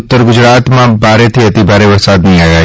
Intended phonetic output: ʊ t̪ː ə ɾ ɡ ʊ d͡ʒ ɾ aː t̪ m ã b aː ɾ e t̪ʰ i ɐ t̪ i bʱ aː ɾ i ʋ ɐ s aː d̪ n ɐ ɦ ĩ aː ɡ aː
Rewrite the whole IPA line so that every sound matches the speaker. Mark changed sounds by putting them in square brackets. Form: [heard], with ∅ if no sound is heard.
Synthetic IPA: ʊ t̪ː ə ɾ ɡ ʊ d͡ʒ ɾ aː t̪ m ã b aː ɾ e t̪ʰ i ɐ t̪ i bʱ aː ɾ [e] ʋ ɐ s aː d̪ n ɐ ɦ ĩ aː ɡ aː